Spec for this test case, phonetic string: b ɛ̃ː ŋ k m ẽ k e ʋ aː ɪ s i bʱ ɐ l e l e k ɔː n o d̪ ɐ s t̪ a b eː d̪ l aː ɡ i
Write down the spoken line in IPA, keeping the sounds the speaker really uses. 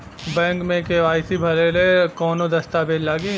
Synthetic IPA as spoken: b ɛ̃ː ŋ k m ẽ k e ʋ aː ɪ s i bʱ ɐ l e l e k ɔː n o d̪ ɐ s t̪ a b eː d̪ l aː ɡ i